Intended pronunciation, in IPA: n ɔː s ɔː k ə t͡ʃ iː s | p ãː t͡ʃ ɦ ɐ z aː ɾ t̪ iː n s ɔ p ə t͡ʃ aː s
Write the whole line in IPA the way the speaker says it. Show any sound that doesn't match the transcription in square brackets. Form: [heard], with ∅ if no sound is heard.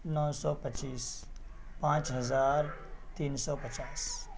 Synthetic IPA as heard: n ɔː s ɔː [p] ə t͡ʃ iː s | p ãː t͡ʃ ɦ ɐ z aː ɾ t̪ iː n s ɔ p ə t͡ʃ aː s